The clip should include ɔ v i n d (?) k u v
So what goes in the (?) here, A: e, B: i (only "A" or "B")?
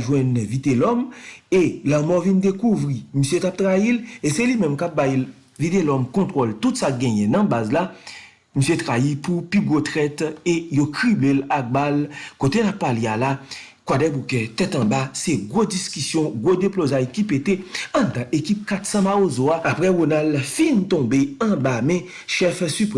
A